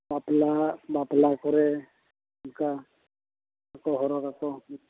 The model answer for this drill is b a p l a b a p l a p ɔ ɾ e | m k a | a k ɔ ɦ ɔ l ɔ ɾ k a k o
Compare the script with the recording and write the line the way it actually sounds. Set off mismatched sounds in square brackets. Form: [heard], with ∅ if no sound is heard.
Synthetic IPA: b a p l a b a p l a [k] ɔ ɾ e | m k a | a k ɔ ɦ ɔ [ɾ] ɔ [∅] k a k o

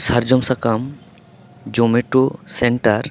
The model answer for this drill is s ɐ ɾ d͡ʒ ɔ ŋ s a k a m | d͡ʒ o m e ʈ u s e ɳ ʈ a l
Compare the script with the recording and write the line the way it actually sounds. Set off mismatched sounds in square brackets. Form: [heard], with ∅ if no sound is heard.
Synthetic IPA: s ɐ ɾ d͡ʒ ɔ [m] s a k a m | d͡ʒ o m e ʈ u s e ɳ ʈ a [ɾ]

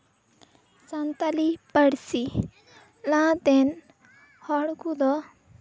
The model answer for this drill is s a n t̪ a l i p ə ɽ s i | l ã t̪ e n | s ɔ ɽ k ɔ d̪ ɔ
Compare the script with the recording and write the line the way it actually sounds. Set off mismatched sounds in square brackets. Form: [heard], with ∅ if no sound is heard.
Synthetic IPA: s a n t̪ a l i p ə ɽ s i | l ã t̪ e n | [h] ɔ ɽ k [u] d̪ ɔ

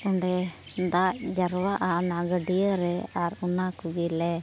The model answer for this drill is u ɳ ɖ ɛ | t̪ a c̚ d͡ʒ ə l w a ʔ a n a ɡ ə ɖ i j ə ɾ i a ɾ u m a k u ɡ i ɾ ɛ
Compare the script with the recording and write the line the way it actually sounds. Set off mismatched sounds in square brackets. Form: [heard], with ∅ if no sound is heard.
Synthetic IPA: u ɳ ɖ ɛ | [d̪] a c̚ d͡ʒ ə [ɾ] w a ʔ a n a ɡ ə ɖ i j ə ɾ [ɛ] a ɾ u [n] a k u ɡ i [l] ɛ

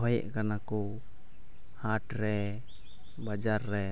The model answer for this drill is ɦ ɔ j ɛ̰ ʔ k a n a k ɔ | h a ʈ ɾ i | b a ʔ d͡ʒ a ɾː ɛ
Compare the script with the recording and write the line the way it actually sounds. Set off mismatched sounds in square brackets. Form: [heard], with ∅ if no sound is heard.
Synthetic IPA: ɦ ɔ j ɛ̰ ʔ k a n a k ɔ | h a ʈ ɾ [ɛ] | b a [∅] d͡ʒ a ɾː ɛ

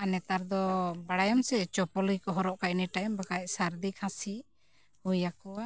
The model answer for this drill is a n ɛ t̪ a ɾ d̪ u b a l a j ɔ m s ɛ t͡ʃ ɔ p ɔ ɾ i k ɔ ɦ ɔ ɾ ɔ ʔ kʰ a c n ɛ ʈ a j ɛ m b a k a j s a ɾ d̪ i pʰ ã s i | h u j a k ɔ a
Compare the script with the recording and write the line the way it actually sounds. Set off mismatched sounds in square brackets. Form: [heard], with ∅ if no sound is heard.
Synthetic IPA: a n ɛ t̪ a ɾ d̪ [ɔ] b a [ɽ] a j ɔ m s ɛ t͡ʃ ɔ p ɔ [l] i k ɔ ɦ ɔ ɾ ɔ ʔ [k] a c n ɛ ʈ a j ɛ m b a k a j s a ɾ d̪ i [kʰ] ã s i | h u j a k ɔ a

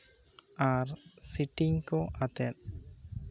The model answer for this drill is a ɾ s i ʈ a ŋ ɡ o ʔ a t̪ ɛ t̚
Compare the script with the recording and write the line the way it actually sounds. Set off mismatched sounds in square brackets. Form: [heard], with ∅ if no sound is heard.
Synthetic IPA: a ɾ s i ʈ [i] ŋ [k] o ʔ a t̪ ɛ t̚

